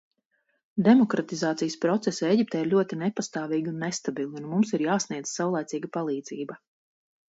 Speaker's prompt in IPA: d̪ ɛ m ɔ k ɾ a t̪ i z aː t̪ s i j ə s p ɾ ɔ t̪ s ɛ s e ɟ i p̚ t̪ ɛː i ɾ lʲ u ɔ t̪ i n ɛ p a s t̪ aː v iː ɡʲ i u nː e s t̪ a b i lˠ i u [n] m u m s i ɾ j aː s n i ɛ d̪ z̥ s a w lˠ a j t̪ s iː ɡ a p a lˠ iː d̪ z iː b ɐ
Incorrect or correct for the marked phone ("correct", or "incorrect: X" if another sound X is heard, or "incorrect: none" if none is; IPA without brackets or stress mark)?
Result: correct